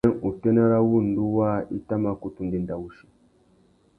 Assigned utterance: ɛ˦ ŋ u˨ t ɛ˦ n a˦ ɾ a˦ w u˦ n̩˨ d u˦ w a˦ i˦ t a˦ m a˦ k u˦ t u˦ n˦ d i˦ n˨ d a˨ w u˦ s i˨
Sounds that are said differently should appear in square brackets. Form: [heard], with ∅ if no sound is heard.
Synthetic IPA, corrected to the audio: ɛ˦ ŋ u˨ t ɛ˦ n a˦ ɾ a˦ w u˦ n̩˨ d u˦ w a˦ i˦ t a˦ m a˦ k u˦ t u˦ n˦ d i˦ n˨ d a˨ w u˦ [ʃ] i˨

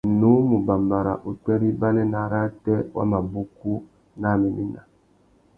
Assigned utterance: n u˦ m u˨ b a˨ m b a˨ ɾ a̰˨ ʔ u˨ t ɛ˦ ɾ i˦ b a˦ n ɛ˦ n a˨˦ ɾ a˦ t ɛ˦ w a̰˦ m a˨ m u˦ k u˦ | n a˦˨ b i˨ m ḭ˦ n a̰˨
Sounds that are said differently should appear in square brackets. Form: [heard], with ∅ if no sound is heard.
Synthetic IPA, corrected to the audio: n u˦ m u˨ b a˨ m b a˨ ɾ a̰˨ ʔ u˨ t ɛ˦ ɾ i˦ b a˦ n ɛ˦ n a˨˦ ɾ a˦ t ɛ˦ w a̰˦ m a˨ [b] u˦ k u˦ | n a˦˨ [m] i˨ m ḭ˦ n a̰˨

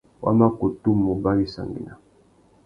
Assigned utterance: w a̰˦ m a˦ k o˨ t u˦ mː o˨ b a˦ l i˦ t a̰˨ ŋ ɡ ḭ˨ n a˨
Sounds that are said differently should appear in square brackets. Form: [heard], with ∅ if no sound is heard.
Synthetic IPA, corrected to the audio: w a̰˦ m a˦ k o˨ t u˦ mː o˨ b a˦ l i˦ [s] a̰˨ ŋ ɡ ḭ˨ n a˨

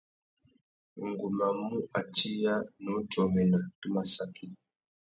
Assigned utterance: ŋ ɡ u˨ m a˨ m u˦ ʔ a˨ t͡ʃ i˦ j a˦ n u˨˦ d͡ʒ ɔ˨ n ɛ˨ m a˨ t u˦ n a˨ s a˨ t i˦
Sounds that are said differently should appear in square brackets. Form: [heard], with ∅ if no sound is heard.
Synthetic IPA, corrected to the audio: ŋ ɡ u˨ m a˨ m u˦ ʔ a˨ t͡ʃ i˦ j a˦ n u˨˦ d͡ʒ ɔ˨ [m] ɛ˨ [n] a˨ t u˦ [m] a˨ s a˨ [k] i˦

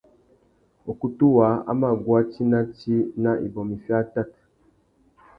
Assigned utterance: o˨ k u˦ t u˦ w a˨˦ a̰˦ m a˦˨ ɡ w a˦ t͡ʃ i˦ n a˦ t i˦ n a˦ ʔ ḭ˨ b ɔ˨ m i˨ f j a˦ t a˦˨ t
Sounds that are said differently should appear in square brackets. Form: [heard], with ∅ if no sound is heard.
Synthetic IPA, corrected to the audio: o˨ k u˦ t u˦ w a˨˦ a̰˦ m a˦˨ ɡ w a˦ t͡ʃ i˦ n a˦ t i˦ n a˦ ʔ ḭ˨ b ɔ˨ m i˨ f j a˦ t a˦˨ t

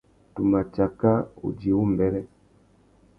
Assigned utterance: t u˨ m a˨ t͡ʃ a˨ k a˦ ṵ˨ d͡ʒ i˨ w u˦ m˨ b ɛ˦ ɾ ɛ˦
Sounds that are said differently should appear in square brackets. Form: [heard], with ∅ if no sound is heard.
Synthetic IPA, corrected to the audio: t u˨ m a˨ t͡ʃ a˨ k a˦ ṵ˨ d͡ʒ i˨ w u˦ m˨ b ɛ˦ ɾ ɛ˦

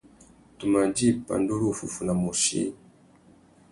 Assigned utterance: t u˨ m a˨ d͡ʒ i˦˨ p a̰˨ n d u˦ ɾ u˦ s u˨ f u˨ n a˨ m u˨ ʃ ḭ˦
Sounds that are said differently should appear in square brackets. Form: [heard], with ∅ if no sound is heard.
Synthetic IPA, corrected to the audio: t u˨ m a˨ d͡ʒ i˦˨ p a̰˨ n d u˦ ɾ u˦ [f] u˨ f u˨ n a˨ m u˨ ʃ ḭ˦

